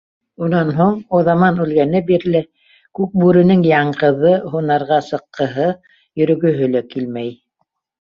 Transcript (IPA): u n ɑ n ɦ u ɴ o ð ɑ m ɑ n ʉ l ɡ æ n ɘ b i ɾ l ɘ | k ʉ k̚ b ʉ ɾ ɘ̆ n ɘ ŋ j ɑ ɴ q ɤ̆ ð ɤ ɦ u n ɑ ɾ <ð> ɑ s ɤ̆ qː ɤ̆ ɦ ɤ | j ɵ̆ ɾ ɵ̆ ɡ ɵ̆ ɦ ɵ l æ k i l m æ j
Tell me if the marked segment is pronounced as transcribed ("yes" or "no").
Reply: no